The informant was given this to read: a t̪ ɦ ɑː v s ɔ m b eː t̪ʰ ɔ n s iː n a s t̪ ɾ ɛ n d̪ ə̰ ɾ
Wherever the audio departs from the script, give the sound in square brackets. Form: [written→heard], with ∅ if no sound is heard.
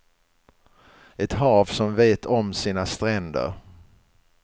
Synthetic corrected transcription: [a→ɛ] t̪ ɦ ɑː v s ɔ m [b→v] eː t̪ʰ ɔ [n→m] s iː n a s t̪ ɾ ɛ n d̪ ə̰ ɾ